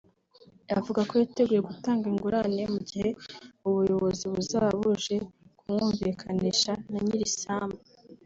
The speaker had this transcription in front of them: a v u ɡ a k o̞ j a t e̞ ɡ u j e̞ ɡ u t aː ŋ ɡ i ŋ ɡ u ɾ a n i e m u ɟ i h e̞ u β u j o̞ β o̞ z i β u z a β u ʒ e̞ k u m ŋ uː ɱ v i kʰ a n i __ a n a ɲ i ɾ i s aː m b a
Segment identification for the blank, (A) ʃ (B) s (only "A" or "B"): A